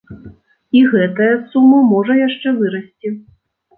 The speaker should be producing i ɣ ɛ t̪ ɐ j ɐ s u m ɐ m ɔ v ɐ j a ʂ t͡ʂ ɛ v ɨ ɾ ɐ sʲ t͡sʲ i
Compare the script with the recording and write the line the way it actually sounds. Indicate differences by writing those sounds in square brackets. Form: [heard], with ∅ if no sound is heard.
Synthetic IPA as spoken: i ɣ ɛ t̪ ɐ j ɐ s u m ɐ m ɔ [ʐ] ɐ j a ʂ t͡ʂ ɛ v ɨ ɾ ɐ sʲ t͡sʲ i